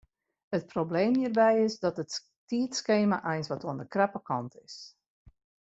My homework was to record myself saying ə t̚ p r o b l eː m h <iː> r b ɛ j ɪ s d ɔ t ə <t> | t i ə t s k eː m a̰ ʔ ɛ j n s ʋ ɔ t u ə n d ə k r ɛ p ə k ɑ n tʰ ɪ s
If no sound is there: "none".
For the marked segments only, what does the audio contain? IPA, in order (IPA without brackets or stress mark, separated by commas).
iː, t